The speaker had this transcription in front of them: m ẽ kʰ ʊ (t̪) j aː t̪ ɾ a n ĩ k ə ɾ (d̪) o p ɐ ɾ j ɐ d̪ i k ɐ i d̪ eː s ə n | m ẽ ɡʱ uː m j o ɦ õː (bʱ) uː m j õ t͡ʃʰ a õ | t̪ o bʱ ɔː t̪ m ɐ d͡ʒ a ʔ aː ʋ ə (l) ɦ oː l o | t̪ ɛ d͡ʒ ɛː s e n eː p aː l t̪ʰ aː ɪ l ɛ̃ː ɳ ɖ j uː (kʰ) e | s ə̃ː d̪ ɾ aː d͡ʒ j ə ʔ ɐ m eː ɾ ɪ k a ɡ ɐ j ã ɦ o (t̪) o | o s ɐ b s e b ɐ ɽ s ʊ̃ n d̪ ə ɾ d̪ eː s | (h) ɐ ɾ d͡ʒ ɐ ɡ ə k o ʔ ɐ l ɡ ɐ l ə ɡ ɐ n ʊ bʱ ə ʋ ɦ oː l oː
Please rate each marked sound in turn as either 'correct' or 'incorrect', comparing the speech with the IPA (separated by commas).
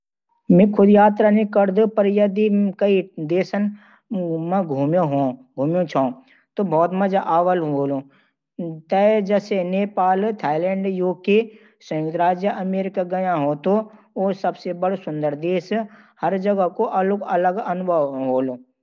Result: incorrect, correct, incorrect, correct, incorrect, correct, correct